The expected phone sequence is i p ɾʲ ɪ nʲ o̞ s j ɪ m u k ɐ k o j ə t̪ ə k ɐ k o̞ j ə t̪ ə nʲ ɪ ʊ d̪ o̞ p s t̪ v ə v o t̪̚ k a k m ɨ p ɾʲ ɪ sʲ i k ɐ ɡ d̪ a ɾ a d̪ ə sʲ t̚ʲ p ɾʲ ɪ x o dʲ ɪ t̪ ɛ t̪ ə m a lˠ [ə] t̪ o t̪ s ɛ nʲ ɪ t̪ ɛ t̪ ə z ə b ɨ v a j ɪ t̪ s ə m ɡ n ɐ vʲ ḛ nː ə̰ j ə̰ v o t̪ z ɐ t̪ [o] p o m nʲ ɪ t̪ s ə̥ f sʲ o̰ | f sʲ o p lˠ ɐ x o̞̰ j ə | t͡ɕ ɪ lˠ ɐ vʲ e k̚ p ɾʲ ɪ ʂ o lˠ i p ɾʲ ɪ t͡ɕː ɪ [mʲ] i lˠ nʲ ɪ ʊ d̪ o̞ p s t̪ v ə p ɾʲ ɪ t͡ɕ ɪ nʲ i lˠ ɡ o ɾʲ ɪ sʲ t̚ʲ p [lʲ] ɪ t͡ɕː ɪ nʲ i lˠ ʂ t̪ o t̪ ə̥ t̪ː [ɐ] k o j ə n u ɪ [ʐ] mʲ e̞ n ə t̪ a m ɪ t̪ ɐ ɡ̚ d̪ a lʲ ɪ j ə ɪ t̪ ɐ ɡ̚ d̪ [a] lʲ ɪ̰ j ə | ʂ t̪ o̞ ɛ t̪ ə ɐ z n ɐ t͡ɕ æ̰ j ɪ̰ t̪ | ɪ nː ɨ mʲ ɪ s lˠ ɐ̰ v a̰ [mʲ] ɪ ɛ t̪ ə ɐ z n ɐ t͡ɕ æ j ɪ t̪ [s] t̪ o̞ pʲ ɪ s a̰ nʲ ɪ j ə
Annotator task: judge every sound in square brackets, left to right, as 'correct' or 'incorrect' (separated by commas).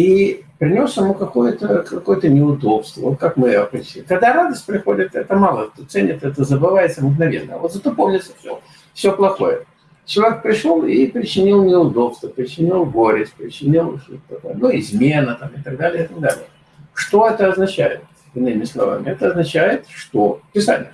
correct, correct, incorrect, incorrect, correct, incorrect, correct, correct, incorrect